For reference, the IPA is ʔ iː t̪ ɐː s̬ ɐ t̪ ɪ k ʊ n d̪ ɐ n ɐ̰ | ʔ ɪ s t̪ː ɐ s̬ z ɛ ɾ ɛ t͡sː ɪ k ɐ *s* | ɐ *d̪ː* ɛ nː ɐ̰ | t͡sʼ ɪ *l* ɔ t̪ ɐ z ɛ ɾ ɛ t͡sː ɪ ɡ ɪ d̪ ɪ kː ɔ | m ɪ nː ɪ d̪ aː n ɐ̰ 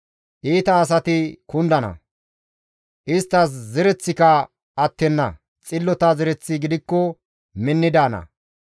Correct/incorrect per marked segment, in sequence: incorrect: none, incorrect: t̪ː, incorrect: lː

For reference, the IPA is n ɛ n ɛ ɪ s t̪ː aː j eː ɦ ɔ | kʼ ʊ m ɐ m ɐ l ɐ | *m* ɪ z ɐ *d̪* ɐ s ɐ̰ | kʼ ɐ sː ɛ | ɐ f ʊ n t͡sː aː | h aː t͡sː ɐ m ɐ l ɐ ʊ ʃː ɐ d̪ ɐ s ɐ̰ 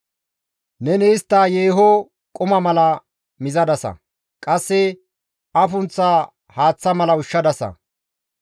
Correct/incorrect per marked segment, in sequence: correct, correct

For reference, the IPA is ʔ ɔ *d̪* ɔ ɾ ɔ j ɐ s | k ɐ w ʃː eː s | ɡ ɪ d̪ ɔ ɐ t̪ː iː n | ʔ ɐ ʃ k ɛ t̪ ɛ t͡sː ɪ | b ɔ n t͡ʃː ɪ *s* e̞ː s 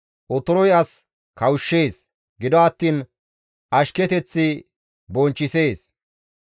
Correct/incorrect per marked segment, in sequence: incorrect: t̪, correct

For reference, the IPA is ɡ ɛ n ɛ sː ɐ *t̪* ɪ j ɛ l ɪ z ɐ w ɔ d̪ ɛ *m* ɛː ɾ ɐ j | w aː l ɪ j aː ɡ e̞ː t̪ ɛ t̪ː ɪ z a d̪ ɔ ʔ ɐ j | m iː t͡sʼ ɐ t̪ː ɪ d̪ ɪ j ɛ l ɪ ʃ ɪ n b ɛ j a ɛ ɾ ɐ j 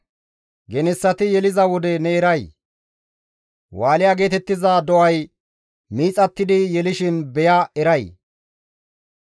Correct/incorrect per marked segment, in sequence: correct, incorrect: n

